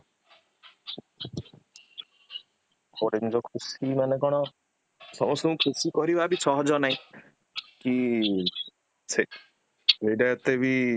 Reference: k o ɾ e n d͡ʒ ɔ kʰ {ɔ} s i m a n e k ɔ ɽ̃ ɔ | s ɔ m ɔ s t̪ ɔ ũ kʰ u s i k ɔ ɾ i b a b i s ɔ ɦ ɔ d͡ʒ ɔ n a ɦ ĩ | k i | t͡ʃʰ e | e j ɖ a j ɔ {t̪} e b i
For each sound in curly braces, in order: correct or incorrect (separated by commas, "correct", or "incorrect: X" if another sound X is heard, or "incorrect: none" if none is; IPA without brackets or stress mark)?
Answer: incorrect: u, correct